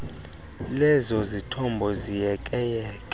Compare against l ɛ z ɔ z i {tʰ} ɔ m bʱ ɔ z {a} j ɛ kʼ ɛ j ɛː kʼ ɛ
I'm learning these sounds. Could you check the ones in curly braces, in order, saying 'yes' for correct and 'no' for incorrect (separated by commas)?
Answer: yes, no